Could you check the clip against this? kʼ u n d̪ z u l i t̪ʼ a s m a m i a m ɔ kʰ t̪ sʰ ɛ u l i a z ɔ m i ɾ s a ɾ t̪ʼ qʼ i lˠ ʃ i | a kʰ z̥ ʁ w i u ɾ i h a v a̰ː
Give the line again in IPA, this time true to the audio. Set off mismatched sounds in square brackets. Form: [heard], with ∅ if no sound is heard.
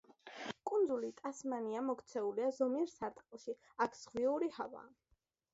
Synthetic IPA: kʼ u n d̪ z u l i t̪ʼ a s m a [n] i a m ɔ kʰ t̪ sʰ ɛ u l i a z ɔ m i ɾ s a ɾ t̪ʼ qʼ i lˠ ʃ i | a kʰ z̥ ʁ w i u ɾ i h a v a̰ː